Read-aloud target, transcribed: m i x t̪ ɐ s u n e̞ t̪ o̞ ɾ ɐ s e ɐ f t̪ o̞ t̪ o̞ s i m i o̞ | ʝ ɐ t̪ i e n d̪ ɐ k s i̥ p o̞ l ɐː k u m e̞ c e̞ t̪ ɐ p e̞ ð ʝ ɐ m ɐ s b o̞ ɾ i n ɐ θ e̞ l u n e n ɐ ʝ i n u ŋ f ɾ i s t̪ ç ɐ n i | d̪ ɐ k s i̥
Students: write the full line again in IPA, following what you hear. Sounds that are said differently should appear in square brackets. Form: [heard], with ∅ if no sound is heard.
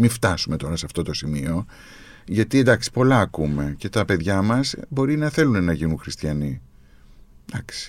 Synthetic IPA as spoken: m i [f] t̪ ɐ s u [m] e̞ t̪ o̞ ɾ ɐ s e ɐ f t̪ o̞ t̪ o̞ s i m i o̞ | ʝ ɐ t̪ i e n d̪ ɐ k s i̥ p o̞ l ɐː k u m e̞ c e̞ t̪ ɐ p e̞ ð ʝ ɐ m ɐ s b o̞ ɾ i n ɐ θ e̞ l u n e n ɐ ʝ i n u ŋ [x] ɾ i s t̪ ç ɐ n i | d̪ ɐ k s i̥